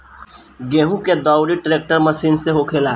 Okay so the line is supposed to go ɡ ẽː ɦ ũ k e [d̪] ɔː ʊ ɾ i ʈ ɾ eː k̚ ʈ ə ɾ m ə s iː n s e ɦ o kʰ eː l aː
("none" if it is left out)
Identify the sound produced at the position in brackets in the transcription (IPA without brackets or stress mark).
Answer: d̪